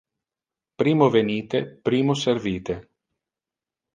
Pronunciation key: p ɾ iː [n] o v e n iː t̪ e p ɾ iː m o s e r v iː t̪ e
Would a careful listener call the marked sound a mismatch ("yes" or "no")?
yes